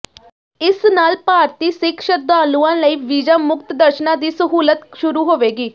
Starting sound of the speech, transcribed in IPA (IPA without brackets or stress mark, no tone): ɪ